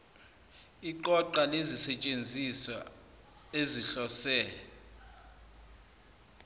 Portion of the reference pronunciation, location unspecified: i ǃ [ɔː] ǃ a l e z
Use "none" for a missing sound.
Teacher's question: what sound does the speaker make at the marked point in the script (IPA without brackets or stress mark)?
ɔ